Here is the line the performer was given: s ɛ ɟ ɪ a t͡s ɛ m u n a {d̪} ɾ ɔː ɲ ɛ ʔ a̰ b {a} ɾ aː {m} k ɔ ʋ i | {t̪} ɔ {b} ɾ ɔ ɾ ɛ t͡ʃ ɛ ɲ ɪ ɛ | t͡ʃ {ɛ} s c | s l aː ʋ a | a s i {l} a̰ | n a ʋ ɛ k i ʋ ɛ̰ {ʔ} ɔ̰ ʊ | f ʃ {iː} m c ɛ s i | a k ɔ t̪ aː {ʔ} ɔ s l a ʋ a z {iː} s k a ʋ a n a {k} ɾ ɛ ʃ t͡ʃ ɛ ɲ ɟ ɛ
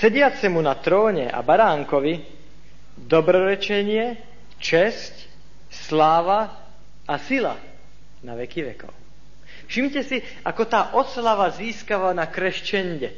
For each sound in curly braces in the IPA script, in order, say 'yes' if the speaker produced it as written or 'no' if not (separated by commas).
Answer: no, yes, no, no, yes, yes, yes, no, no, yes, yes, yes